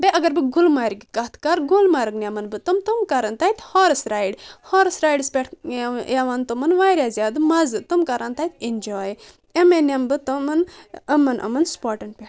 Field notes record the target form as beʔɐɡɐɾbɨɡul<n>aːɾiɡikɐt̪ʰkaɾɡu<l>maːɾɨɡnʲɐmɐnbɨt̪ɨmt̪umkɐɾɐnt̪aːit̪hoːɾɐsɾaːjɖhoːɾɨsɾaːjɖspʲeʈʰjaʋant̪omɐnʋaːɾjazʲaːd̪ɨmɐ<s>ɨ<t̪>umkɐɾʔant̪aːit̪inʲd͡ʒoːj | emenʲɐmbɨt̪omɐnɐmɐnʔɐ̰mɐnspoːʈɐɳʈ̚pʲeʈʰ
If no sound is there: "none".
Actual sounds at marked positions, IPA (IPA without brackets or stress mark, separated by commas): m, l, z, t̪